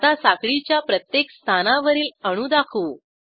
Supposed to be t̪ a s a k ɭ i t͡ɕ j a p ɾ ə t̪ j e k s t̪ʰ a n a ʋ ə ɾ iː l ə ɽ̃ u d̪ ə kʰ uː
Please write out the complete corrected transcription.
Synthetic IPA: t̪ a s a k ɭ i t͡ɕ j a p ɾ ə t̪ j e k s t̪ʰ a n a ʋ ə ɾ iː l ə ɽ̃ u d̪ a kʰ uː

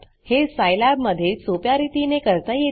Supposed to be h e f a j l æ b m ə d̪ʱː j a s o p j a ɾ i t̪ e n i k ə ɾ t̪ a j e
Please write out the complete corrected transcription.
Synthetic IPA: h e s a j l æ b m ə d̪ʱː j e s o p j a ɾ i t̪ i n e k ə ɾ t̪ a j e

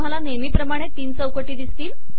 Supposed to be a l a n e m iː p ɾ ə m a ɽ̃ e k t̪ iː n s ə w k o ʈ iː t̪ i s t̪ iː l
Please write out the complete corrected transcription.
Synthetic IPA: a l a n e m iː p ɾ ə m a ɽ̃ e t̪ iː n s ə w k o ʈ iː d̪ i s t̪ iː l

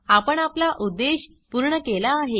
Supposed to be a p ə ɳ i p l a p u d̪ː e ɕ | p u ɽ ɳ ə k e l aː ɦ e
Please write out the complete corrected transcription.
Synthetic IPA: a p ə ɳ a p l a ʔ u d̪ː e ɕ | p u ɾ ɳ ə k e l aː ɦ e

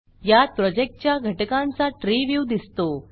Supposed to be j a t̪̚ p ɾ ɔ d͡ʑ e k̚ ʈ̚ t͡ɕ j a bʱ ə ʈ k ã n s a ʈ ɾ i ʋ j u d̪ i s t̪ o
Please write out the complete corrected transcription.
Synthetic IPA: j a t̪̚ p ɾ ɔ d͡ʑ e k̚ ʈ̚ t͡ɕ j a ɡʱ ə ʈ k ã n t͡s a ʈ ɾ i ʋ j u d̪ i s t̪ o

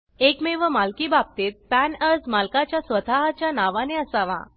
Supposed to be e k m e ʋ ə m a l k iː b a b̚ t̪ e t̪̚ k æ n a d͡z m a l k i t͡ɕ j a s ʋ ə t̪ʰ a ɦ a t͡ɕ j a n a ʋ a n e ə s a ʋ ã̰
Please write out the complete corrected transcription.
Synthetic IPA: e k m e ʋ ə m a l k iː b a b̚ t̪ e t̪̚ p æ n ə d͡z m a l k a t͡ɕ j a s ʋ ə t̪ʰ a ɦ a t͡ɕ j a n a ʋ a n e ə s a ʋ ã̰

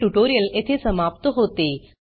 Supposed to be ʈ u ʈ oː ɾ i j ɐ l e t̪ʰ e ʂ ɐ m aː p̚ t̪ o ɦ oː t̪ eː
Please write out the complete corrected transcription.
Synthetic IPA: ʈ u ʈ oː ɾ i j ɐ l e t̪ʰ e s ɐ m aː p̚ t̪ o ɦ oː t̪ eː

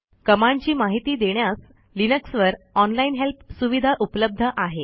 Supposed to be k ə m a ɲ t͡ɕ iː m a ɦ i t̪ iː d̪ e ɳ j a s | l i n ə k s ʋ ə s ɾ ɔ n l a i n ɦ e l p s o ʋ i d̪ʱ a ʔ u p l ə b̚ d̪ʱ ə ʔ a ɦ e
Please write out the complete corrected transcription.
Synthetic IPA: k ə m a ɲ t͡ɕ iː m a ɦ i t̪ iː d̪ e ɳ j a s | l i n ə k s ʋ ə ɾ ɔ n l a i n ɦ e l p s u ʋ i d̪ʱ a ʔ u p l ə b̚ d̪ʱ ə ʔ a ɦ e

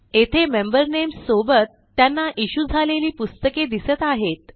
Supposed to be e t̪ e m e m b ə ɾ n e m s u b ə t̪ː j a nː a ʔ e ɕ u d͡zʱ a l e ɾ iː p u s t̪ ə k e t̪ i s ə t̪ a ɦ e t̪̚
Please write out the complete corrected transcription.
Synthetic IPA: e t̪ʰ e m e m b ə ɾ n e m s o b ə t̪ː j a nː a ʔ i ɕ u d͡zʱ a l e l iː p u s t̪ ə k e d̪ i s ə t̪ a ɦ e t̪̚

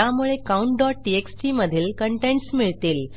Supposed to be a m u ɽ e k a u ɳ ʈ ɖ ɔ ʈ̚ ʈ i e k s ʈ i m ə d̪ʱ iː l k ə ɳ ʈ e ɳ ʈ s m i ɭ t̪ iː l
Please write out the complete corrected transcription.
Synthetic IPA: a m u ɭ e k a u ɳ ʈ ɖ ɔ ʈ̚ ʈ i e k s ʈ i m ə d̪ʱ iː l k ə ɳ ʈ e ɳ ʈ s m i ɭ t̪ iː l

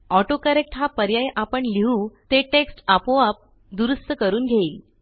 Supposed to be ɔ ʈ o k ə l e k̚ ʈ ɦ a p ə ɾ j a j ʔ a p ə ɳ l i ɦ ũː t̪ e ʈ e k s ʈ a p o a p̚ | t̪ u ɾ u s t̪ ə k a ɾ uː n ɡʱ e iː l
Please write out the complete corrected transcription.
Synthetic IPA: ɔ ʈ o k ə ɾ e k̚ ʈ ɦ a p ə ɾ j a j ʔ a p ə ɳ l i ɦ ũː t̪ e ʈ e k s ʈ a p o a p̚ | d̪ u ɾ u s t̪ ə k ə ɾ uː n ɡʱ e iː l

